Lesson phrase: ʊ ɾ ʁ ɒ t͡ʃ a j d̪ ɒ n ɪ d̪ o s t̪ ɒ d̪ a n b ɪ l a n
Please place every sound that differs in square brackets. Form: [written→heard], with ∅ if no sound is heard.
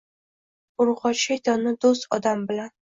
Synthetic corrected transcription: ʊ ɾ ʁ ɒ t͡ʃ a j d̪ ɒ n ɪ d̪ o s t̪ ɒ d̪ a [n→m] b ɪ l a n